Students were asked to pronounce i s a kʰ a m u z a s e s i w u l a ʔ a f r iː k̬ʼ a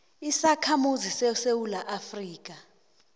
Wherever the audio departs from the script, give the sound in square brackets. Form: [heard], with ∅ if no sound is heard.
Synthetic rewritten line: i s a kʰ a m u z [i] s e s [e] w u l a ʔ a f r iː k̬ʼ a